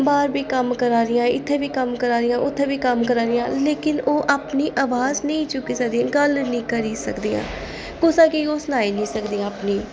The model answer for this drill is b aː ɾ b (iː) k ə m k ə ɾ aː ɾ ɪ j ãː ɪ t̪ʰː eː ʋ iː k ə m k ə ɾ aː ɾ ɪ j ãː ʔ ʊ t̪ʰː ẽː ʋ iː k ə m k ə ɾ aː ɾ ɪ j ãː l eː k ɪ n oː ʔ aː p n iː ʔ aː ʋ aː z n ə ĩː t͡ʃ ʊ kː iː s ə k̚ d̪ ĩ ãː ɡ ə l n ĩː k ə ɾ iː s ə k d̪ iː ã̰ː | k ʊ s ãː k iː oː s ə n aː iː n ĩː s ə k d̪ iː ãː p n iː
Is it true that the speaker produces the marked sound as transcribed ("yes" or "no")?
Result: yes